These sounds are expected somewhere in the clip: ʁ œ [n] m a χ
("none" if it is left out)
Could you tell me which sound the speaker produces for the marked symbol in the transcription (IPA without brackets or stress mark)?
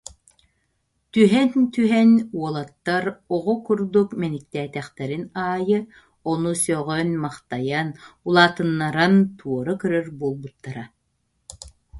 n